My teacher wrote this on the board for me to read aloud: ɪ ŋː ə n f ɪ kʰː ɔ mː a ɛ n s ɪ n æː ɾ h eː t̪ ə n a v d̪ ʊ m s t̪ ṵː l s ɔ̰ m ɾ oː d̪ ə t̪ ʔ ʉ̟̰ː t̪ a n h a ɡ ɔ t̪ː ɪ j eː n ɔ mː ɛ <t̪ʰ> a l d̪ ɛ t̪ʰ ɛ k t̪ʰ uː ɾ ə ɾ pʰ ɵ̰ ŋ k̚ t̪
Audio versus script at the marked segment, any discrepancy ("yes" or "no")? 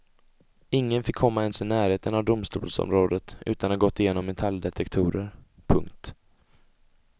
no